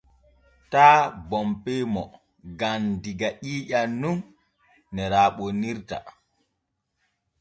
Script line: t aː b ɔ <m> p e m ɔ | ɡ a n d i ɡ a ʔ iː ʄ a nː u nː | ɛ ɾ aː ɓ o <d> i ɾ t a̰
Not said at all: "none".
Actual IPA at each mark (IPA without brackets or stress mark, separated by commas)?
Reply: m, n